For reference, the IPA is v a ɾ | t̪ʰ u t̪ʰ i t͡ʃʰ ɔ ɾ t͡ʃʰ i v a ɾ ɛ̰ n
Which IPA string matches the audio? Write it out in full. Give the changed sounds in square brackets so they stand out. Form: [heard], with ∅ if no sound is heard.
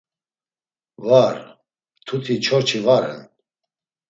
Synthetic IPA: v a ɾ | t̪ʰ u t̪ʰ i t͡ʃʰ ɔ ɾ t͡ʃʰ i v a ɾ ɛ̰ n